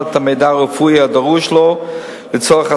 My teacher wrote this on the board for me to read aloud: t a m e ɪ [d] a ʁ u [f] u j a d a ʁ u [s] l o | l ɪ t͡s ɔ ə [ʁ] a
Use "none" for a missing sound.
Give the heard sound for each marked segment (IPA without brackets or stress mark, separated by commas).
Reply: d, f, ʃ, χ